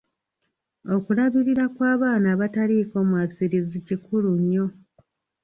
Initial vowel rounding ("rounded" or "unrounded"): rounded